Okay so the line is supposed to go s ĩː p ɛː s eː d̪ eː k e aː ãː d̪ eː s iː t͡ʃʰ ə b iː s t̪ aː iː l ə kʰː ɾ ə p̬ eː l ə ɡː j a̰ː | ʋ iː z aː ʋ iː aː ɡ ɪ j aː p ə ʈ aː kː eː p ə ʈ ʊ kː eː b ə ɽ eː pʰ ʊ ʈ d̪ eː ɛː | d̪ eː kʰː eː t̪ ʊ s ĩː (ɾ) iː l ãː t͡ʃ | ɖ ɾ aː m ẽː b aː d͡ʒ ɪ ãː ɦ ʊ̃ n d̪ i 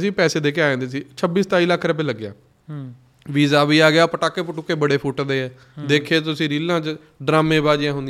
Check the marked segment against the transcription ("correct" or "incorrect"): correct